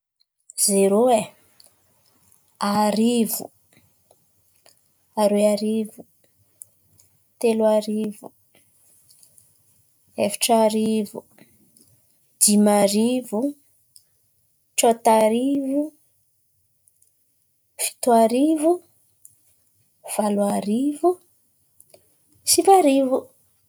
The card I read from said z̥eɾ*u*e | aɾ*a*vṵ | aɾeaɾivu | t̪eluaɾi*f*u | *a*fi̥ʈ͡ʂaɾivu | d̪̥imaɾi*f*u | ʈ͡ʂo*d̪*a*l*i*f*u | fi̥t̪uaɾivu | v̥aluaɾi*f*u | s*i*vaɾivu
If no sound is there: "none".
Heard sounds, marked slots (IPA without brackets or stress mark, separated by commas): o, i, v, e, v, t̪, ɾ, v, v, i